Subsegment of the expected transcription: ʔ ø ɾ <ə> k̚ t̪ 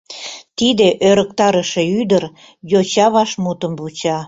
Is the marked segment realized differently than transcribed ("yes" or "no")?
no